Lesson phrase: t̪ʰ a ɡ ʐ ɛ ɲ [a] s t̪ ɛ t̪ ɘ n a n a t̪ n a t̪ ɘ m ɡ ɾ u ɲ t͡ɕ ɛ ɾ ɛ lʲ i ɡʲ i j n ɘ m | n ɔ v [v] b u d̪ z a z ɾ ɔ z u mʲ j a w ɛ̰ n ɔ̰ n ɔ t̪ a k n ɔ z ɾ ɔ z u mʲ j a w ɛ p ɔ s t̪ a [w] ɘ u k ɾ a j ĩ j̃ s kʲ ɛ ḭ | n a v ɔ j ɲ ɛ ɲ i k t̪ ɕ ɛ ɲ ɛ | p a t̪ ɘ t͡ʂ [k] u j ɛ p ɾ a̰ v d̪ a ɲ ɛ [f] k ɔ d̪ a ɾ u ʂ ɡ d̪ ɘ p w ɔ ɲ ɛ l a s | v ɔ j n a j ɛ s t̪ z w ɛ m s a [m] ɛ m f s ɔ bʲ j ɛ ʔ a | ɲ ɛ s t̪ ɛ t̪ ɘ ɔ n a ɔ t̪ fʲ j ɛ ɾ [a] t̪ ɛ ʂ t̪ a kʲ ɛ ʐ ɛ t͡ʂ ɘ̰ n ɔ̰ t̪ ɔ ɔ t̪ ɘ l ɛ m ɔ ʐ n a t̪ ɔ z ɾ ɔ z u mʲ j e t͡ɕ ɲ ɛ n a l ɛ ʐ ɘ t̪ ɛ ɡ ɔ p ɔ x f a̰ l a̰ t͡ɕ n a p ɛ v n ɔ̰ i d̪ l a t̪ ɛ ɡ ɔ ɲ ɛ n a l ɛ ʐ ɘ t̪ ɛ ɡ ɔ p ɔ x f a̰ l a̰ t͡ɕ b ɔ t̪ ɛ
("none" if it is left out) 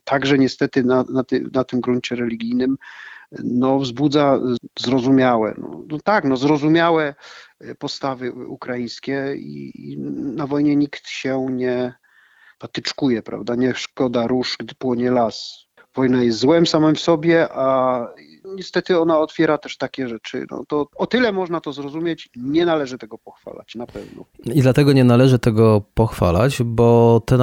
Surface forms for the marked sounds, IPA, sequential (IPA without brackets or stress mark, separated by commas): ɛ, z, v, k, ʂ, m, a